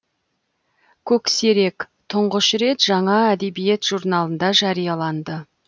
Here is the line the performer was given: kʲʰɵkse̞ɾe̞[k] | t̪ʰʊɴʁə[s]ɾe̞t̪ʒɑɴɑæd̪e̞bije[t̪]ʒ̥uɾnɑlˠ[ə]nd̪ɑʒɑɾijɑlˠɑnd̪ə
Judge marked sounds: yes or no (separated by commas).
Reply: yes, no, yes, yes